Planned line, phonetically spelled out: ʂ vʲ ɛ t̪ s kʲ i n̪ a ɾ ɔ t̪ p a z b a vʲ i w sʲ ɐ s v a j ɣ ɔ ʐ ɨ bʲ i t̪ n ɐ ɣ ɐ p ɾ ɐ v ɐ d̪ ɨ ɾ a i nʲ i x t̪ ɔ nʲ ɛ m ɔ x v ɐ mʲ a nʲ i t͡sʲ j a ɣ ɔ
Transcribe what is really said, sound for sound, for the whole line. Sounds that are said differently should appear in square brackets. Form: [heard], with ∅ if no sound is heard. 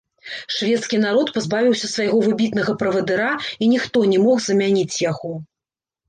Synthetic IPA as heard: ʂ vʲ ɛ t̪ s kʲ i n̪ a ɾ ɔ t̪ p a z b a vʲ i w sʲ ɐ s v a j ɣ ɔ [v] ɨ bʲ i t̪ n ɐ ɣ ɐ p ɾ ɐ v ɐ d̪ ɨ ɾ a i nʲ i x t̪ ɔ nʲ ɛ m ɔ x [z] ɐ mʲ a nʲ i t͡sʲ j a ɣ ɔ